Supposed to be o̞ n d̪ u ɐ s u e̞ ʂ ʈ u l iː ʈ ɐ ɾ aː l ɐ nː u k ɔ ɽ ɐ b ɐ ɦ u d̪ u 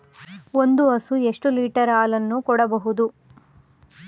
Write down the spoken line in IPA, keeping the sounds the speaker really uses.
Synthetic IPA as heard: o̞ n d̪ u ɐ s u e̞ ʂ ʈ u l iː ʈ ɐ ɾ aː l ɐ nː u k ɔ ɽ ɐ b ɐ ɦ u d̪ u